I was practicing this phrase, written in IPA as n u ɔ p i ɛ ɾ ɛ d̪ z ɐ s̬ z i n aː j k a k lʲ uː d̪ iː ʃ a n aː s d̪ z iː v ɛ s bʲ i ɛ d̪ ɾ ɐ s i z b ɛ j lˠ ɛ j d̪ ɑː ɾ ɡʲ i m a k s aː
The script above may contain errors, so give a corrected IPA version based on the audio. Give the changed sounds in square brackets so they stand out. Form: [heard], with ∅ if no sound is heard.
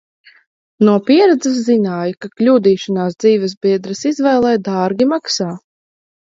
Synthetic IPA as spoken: n u ɔ p i ɛ ɾ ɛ d̪ z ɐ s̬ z i n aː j k a k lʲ uː d̪ iː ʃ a n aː s d̪ z iː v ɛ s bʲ i ɛ d̪ ɾ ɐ s i z [v] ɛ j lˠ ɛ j d̪ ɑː ɾ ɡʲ i m a k s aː